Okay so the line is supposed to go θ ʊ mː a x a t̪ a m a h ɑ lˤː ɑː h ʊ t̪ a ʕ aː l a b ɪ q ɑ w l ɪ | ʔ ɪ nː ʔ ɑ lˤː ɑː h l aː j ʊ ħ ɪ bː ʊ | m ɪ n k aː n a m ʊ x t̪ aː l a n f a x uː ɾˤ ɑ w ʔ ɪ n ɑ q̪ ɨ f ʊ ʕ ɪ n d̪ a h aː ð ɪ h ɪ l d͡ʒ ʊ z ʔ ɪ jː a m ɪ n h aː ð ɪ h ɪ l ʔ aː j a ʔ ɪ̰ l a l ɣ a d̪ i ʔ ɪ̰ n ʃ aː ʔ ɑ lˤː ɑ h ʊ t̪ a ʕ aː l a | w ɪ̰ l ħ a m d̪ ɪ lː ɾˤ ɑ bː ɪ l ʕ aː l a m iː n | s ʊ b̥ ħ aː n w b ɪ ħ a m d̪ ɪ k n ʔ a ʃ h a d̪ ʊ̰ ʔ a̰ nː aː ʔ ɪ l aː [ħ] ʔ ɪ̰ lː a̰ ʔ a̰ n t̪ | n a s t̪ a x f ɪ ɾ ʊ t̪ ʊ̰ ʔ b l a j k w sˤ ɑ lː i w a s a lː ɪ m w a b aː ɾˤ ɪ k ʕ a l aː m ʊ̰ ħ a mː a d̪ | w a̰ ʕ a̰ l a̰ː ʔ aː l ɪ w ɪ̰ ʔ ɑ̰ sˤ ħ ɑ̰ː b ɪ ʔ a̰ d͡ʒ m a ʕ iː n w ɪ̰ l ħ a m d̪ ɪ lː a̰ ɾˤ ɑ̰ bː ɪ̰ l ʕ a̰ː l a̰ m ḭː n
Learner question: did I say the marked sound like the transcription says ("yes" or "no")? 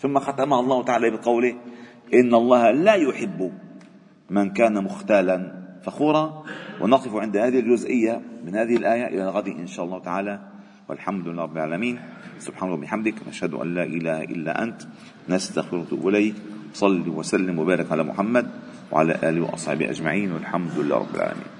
no